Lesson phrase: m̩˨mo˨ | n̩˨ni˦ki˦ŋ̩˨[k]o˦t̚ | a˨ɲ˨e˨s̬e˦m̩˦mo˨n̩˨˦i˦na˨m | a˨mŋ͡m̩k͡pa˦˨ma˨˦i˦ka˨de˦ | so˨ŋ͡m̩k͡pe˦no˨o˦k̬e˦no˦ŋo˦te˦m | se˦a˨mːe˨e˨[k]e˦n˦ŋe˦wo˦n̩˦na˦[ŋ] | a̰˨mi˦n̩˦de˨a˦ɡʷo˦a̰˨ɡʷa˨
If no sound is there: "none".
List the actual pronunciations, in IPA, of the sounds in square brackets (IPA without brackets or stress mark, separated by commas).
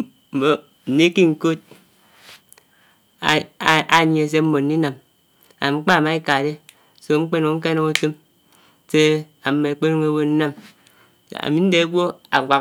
k, k͡p, m